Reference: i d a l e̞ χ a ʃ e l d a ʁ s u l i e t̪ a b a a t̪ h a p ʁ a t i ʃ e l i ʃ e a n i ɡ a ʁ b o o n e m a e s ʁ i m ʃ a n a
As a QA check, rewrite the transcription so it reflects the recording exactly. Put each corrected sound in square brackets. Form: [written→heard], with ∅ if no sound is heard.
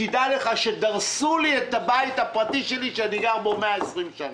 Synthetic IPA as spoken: i d a l e̞ χ a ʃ e [l→∅] d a ʁ s u l i e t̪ a b a [a→i] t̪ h a p ʁ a t i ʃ e l i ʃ e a n i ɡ a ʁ b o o [n→m] e [m→∅] a e s ʁ i m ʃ a n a